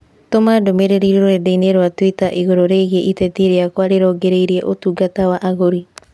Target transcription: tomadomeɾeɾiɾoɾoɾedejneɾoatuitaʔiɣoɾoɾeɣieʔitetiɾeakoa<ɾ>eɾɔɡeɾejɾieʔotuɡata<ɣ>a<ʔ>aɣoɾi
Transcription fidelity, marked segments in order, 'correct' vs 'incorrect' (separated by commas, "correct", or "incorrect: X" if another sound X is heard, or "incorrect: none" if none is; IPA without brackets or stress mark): correct, incorrect: w, correct